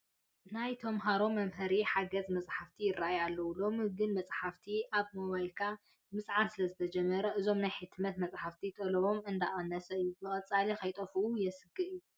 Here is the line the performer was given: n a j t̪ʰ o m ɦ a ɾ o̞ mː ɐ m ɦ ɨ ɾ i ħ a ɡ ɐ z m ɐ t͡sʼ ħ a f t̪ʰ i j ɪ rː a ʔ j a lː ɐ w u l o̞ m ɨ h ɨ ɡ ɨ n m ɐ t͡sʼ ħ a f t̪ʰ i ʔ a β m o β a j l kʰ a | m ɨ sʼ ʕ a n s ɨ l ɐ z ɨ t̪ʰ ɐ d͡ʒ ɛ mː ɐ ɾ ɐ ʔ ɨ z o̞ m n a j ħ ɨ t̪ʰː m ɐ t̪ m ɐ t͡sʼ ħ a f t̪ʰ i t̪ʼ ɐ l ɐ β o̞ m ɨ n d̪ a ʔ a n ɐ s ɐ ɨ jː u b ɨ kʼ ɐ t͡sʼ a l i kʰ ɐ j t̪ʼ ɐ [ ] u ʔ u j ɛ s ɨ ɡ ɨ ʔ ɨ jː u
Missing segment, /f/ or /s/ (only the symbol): f